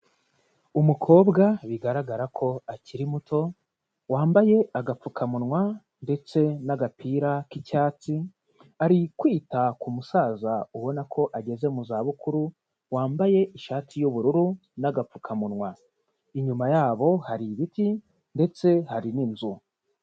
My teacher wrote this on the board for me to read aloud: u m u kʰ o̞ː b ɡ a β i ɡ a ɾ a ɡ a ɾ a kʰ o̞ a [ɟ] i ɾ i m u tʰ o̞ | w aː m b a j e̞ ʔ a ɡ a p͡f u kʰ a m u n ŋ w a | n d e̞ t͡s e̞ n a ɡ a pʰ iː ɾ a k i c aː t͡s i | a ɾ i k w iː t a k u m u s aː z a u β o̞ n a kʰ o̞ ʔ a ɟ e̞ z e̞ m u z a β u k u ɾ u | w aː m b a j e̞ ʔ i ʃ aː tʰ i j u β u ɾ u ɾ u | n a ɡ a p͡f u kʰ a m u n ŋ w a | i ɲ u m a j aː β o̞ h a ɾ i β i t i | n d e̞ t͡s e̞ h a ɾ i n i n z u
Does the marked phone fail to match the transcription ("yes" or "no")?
yes